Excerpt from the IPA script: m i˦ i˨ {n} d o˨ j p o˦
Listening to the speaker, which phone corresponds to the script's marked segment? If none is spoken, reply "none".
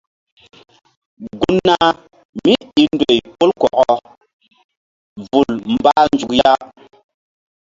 n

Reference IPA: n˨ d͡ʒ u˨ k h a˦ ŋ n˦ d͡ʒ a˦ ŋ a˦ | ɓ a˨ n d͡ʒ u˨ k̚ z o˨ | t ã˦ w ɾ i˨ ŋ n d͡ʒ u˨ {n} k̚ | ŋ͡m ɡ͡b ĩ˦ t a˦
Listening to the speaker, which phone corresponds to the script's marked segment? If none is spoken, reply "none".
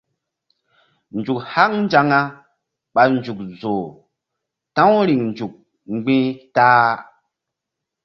none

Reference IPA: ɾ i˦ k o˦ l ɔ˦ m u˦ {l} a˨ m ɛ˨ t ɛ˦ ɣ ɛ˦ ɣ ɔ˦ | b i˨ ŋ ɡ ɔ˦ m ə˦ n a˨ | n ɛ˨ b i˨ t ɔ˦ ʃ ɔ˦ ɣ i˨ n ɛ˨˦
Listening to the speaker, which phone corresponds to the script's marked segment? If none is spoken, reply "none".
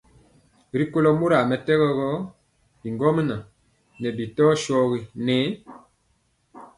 ɾ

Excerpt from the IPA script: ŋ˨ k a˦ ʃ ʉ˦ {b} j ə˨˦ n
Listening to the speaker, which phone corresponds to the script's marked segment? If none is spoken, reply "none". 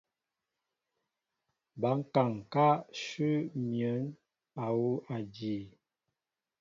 m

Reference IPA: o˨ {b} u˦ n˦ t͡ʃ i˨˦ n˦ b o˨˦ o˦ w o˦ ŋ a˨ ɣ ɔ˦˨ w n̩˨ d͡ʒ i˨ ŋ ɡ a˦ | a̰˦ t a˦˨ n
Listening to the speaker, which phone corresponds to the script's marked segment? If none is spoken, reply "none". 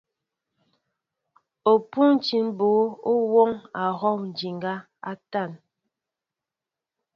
p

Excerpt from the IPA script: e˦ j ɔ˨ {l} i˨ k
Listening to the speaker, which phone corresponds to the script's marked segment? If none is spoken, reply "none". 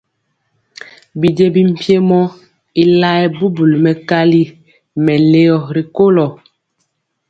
ɾ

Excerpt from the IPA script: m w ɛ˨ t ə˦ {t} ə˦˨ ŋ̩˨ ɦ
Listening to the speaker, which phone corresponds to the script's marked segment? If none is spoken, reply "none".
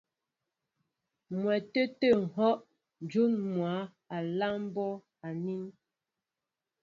t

